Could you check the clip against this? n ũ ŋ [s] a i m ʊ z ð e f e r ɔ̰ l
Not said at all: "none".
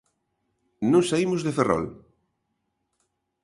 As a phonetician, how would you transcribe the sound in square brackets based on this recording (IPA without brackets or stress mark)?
s